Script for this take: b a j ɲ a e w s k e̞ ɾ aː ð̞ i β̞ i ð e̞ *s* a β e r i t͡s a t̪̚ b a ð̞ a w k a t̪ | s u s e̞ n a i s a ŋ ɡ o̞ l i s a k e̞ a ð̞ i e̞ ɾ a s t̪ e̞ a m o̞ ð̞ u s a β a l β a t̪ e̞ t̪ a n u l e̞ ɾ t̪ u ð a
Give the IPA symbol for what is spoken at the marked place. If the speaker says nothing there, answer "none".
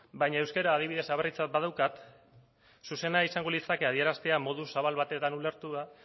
s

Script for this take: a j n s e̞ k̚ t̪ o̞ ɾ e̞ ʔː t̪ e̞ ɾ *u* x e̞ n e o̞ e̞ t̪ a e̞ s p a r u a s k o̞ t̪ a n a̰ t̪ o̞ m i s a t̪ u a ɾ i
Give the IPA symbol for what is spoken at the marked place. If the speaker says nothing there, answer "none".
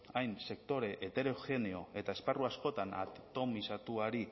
o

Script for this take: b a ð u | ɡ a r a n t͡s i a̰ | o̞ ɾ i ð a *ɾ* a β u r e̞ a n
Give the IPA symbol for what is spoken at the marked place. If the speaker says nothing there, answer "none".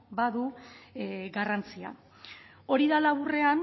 l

